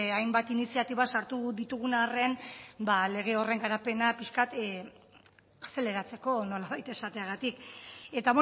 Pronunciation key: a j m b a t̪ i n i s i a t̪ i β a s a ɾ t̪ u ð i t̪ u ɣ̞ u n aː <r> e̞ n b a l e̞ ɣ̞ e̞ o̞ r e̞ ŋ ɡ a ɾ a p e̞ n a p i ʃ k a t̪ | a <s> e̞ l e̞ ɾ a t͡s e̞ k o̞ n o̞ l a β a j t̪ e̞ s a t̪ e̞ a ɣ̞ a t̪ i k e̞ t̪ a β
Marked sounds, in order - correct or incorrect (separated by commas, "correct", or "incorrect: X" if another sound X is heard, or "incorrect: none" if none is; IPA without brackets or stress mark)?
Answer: correct, correct